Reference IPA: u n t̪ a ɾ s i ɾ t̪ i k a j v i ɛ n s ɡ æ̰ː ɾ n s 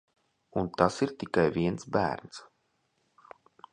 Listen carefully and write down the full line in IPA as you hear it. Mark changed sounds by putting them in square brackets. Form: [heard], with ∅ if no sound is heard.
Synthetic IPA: u n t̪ a [∅] s i ɾ t̪ i k a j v i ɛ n s [b] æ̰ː ɾ n s